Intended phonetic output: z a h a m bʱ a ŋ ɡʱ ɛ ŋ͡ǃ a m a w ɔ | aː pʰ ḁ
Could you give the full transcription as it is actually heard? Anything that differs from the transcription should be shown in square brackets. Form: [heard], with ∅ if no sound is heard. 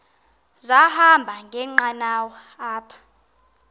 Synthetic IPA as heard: z a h a m bʱ a ŋ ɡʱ ɛ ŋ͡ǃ a [n] a w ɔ | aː pʰ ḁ